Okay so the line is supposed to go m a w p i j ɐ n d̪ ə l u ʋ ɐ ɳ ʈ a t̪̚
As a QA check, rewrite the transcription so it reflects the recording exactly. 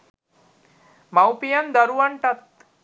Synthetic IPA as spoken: m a w p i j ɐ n d̪ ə ɾ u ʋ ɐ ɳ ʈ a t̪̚

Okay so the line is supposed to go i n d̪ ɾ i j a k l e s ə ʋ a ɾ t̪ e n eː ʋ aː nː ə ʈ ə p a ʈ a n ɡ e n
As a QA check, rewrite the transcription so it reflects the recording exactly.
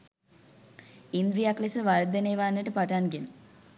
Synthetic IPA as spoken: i n d̪ ɾ i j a k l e s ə ʋ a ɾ d̪ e n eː ʋ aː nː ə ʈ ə p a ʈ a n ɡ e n

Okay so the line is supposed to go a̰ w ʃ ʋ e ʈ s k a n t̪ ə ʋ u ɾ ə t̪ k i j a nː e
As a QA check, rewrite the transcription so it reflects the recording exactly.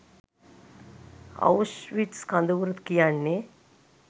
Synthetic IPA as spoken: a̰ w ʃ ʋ i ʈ s k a n d̪ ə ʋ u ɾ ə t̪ k i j a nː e

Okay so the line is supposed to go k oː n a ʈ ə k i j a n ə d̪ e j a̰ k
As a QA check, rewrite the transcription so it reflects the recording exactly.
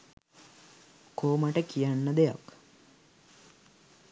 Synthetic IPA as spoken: k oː m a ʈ ə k i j a nː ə d̪ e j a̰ k

